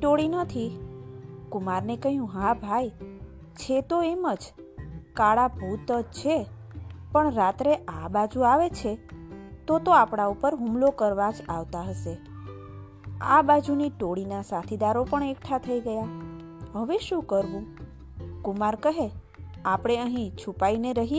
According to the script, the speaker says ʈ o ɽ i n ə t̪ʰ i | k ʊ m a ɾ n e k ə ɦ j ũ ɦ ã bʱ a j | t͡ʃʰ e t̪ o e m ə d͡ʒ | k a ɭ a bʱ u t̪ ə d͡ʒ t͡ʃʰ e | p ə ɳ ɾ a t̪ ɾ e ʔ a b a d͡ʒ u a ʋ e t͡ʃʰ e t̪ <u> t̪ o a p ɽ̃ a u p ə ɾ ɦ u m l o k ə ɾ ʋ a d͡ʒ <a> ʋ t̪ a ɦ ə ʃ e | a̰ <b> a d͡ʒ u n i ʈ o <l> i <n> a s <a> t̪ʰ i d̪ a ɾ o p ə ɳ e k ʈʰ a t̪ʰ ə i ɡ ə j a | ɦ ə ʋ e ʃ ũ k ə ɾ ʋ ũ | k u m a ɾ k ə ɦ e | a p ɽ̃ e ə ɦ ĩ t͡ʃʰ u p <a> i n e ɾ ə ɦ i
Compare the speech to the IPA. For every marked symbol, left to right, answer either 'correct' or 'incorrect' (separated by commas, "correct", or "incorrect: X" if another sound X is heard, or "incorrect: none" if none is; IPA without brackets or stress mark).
incorrect: o, correct, correct, incorrect: ɽ, correct, correct, correct